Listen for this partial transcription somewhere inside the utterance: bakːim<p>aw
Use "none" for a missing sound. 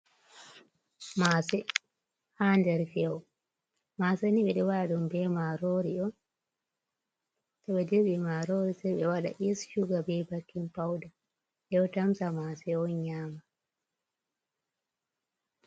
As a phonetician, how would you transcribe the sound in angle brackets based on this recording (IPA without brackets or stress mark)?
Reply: p